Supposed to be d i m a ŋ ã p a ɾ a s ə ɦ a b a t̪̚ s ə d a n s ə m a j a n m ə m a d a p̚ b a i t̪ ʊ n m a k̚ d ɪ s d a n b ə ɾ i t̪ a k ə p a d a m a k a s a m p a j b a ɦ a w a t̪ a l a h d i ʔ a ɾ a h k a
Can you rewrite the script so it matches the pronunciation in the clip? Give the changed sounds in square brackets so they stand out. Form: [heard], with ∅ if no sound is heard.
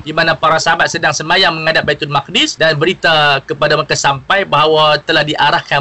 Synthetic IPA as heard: d i m a [n] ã p a ɾ a s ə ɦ a b a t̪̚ s ə d a [ŋ] s ə m a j a [ŋ] m ə [ŋ] a d a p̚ b a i t̪ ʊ n m a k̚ d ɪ s d a n b ə ɾ i t̪ a k ə p a d a m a k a s a m p a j b a ɦ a w a t̪ [ə] l a h d i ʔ a ɾ a h k a